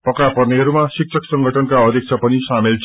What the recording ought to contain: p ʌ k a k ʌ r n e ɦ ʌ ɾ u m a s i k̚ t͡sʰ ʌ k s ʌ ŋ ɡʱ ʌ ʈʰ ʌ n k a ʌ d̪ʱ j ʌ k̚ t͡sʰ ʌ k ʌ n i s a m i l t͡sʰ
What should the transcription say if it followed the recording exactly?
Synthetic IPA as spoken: p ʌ k a p ʌ r n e ɦ ʌ ɾ u m a s i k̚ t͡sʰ ʌ k s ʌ ŋ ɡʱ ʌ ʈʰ ʌ n k a ʌ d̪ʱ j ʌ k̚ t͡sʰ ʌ p ʌ n i s a m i l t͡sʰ

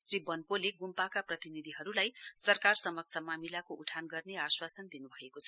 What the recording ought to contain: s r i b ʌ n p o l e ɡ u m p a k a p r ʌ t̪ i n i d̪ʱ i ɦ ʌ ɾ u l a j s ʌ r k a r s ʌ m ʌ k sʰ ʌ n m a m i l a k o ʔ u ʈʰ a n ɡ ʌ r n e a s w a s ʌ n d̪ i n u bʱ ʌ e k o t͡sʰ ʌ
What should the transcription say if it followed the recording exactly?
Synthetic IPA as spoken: s r i b ʌ n p o l e ɡ u m p a k a p r ʌ t̪ i n i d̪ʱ i ɦ ʌ ɾ u l a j s ʌ r k a r s ʌ m ʌ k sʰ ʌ m a m i l a k o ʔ u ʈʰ a n ɡ ʌ r n e a s w a s ʌ n d̪ i n u bʱ ʌ e k o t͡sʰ ʌ

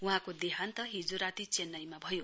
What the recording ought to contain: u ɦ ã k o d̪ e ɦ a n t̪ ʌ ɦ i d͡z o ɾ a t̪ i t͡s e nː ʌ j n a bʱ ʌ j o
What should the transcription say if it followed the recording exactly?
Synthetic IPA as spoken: u ɦ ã k o d̪ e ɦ a n t̪ ʌ ɦ i d͡z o ɾ a t̪ i t͡s e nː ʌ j m a bʱ ʌ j o

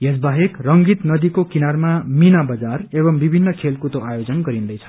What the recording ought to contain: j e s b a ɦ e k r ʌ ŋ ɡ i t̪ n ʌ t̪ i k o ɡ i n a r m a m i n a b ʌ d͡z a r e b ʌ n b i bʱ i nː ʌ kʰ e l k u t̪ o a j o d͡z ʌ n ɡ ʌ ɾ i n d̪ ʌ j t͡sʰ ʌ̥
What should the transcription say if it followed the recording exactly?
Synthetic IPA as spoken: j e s b a ɦ e k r ʌ ŋ ɡ i t̪ n ʌ d̪ i k o k i n a r m a m i n a b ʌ d͡z a r e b ʌ m b i bʱ i nː ʌ kʰ e l k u t̪ o a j o d͡z ʌ n ɡ ʌ ɾ i n d̪ ʌ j t͡sʰ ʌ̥

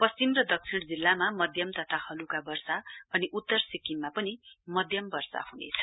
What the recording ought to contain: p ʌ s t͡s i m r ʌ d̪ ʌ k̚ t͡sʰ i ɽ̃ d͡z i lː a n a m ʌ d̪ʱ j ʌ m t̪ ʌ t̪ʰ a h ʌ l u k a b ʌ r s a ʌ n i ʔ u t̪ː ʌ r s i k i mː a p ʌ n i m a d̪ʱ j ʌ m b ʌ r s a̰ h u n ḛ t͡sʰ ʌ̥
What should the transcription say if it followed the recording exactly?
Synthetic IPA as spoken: p ʌ s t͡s i m r ʌ d̪ ʌ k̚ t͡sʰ i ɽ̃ d͡z i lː a m a m ʌ d̪ʱ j ʌ m t̪ ʌ t̪ʰ a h ʌ l u k a b ʌ r s a ʌ n i ʔ u t̪ː ʌ r s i k i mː a p ʌ n i m ʌ d̪ʱ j ʌ m b ʌ r s a̰ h u n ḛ t͡sʰ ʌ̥

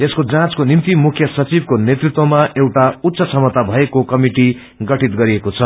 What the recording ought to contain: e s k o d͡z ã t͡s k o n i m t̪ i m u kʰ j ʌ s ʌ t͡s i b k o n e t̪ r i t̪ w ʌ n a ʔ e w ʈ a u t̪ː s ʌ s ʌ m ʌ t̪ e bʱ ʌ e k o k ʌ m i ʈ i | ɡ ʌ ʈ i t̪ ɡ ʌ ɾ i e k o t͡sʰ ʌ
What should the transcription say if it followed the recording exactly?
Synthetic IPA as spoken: e s k o d͡z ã t͡s k o n i m t̪ i m u kʰ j ʌ s ʌ t͡s i b k o n e t̪ r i t̪ w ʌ m a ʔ e w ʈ a u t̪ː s ʌ s ʌ m ʌ t̪ a bʱ ʌ e k o k ʌ m i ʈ i | ɡ ʌ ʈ i t̪ ɡ ʌ ɾ i e k o t͡sʰ ʌ

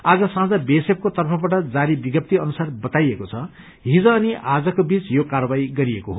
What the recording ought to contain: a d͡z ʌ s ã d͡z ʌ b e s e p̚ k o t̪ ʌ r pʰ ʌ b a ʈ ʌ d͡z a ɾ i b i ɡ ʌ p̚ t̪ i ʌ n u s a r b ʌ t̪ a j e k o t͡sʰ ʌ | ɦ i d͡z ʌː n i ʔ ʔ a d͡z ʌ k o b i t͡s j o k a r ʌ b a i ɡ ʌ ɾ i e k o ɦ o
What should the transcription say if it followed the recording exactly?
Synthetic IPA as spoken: a d͡z ʌ s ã d͡z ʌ b e s e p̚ k o t̪ ʌ r pʰ ʌ b a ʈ ʌ d͡z a ɾ i b i ɡ ʌ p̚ t̪ i ʌ n u s a r b ʌ t̪ a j e k o t͡sʰ ʌ | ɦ i d͡z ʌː n i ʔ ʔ a d͡z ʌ k o b i t͡s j o k a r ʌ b a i ɡ ʌ ɾ i e k o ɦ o

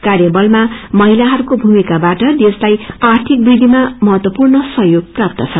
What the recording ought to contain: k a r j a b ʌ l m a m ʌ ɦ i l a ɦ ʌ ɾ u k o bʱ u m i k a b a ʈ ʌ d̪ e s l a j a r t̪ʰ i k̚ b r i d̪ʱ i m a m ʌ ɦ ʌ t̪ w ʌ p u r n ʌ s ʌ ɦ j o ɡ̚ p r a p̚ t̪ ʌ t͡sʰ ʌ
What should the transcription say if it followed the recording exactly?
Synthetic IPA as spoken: k a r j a b ʌ l m a m ʌ ɦ i l a ɦ ʌ ɾ u k o bʱ u m i k a b a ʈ ʌ d̪ e s l a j a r t̪ʰ i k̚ b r i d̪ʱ i m a m ʌ ɦ ʌ t̪ w ʌ p u r n ʌ s ʌ ɦ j o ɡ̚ p r a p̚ t̪ ʌ t͡sʰ ʌ

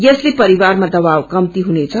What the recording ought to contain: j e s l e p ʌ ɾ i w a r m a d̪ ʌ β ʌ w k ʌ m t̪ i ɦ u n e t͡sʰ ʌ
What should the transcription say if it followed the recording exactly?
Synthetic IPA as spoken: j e s l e p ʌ ɾ i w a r m a d̪ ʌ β a w k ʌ m t̪ i ɦ u n e t͡sʰ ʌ

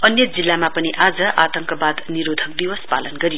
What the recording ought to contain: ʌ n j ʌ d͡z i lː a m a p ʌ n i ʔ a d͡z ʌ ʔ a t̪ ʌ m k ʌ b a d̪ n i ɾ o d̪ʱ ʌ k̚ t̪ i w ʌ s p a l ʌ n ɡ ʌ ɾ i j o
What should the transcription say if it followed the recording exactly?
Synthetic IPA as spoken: ʌ n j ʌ d͡z i lː a m a p ʌ n i ʔ a d͡z ʌ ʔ a t̪ ʌ ŋ k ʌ b a d̪ n i ɾ o d̪ʱ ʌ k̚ d̪ i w ʌ s p a l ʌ n ɡ ʌ ɾ i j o

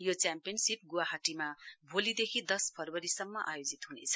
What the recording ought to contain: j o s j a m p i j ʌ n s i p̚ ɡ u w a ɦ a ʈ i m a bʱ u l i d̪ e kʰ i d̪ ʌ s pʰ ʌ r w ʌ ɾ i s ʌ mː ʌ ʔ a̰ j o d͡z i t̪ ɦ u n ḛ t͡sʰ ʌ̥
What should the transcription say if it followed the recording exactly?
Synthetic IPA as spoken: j o t͡s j a m p i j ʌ n s i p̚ ɡ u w a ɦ a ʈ i m a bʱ o l i d̪ e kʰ i d̪ ʌ s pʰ ʌ r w ʌ ɾ i s ʌ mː ʌ ʔ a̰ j o d͡z i t̪ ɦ u n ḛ t͡sʰ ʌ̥

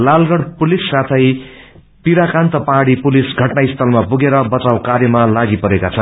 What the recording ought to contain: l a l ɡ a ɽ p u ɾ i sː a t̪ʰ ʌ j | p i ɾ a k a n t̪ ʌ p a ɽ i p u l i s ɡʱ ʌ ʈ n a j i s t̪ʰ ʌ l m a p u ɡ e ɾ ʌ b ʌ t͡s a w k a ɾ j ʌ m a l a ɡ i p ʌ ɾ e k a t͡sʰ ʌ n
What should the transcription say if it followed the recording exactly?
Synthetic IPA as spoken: l a l ɡ ʌ ɽ p u l i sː a t̪ʰ ʌ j | p i ɾ a k a n t̪ ʌ p a ɽ i p u l i s ɡʱ ʌ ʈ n a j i s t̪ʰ ʌ l m a p u ɡ e ɾ ʌ b ʌ t͡s a w k a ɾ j ʌ m a l a ɡ i p ʌ ɾ e k a t͡sʰ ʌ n

